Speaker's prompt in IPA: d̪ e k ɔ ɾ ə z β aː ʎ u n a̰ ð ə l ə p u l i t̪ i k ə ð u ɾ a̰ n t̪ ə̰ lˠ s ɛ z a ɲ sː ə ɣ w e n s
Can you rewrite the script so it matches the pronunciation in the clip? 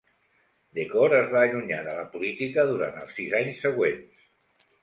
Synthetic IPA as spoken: d̪ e k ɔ ɾ ə z β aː ʎ u ɲ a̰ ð ə l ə p u l i t̪ i k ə ð u ɾ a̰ n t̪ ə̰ lˠ s i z a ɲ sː ə ɣ w e n s